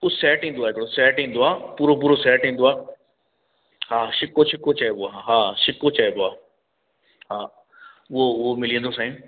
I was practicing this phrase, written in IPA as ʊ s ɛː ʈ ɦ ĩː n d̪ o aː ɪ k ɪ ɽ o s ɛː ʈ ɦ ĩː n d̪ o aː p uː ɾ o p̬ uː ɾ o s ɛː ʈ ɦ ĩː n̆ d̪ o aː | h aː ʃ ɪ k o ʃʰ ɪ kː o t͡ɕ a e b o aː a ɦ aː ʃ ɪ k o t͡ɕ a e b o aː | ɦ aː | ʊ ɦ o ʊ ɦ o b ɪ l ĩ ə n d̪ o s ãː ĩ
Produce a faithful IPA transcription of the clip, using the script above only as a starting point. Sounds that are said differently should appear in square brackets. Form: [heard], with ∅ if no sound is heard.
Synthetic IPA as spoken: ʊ s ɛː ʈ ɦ ĩː n d̪ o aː ɪ k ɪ ɽ o s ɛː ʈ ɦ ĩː n d̪ o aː p uː ɾ o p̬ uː ɾ o s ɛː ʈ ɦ ĩː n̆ d̪ o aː | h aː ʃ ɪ k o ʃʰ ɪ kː o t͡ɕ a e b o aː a ɦ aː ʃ ɪ k o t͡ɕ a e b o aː | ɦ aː | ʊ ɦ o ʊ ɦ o [m] ɪ l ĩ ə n d̪ o s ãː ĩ